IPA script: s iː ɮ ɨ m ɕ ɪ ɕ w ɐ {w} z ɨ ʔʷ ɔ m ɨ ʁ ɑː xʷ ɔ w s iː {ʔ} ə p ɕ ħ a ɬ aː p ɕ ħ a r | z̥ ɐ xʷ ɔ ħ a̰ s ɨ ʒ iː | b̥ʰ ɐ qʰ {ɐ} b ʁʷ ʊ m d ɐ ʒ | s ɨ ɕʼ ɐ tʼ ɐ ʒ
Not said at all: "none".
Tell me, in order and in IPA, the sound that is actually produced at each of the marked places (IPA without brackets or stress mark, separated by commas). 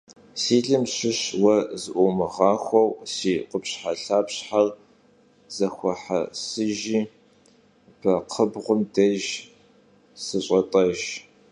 none, q, ə